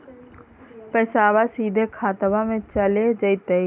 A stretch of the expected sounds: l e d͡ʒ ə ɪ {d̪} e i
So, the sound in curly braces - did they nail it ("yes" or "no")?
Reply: no